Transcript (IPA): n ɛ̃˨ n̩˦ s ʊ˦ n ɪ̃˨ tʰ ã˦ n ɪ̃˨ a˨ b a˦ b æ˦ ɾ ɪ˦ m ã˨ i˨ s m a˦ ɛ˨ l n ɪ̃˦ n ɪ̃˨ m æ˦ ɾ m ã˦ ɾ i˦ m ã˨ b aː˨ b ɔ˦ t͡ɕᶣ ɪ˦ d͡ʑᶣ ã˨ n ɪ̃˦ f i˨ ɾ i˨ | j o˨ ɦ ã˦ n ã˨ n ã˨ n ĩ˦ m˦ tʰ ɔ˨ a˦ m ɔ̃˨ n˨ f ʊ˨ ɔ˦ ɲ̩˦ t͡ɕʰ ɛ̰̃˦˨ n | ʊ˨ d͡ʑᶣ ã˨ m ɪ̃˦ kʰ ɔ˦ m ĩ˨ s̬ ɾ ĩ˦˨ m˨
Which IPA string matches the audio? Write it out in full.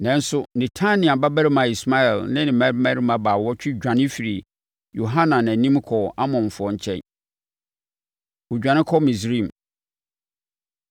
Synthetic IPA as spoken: n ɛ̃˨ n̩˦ s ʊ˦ n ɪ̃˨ tʰ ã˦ n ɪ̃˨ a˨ b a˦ b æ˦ ɾ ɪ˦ m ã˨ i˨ s m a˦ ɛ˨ l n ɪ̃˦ n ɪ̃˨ m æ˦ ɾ m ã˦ ɾ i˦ m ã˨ b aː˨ w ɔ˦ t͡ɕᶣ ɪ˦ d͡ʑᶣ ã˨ n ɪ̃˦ f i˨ ɾ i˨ | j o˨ ɦ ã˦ n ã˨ n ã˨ n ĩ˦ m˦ kʰ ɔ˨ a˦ m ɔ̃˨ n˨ f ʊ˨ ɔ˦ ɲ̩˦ t͡ɕʰ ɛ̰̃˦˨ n | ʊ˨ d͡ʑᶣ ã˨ n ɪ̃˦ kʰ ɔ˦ m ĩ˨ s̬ ɾ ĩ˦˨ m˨